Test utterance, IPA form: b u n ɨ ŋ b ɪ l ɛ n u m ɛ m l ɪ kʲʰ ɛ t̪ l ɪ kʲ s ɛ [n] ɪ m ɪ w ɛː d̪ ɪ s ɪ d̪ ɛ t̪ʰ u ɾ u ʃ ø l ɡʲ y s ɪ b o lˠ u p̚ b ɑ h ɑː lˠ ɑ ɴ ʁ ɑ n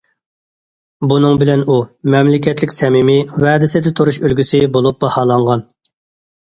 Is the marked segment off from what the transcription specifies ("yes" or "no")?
yes